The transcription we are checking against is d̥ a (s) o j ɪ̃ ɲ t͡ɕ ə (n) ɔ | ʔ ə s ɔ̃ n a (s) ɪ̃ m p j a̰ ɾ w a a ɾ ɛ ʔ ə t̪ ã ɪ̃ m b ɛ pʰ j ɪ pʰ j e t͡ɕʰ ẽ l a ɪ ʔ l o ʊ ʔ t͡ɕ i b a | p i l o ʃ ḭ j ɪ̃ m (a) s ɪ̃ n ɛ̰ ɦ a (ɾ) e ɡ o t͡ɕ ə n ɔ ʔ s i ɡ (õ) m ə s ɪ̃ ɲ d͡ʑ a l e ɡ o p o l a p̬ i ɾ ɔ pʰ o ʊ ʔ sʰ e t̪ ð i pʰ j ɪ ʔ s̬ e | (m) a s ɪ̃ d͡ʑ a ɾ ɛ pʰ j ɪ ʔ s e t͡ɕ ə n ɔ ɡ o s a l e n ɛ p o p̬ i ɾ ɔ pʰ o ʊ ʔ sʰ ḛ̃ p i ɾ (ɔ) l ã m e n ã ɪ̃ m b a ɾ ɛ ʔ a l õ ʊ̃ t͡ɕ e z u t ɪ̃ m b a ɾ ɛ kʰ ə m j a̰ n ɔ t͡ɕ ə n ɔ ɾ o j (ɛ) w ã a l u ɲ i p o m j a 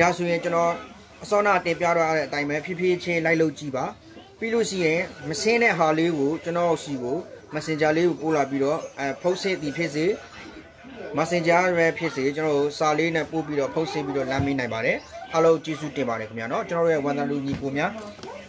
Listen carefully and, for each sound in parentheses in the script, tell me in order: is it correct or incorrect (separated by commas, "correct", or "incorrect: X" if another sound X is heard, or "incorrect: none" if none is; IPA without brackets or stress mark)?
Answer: correct, correct, incorrect: t, incorrect: ə, incorrect: l, incorrect: o, correct, correct, correct